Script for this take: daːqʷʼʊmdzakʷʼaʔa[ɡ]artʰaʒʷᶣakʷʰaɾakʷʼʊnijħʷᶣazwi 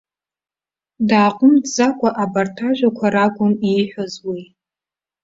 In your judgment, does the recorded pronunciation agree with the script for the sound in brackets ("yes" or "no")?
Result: no